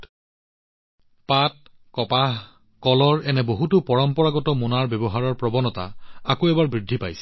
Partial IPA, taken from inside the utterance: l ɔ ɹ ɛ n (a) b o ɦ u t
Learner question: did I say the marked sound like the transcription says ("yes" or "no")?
no